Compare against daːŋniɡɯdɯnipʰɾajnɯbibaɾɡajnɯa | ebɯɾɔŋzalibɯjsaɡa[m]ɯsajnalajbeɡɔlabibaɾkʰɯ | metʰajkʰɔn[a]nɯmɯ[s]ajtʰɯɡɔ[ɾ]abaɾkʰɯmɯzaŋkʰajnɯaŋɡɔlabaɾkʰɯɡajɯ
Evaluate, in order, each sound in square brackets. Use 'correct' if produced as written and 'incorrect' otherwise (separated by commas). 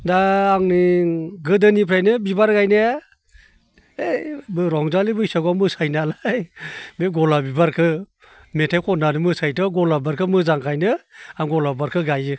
correct, correct, correct, incorrect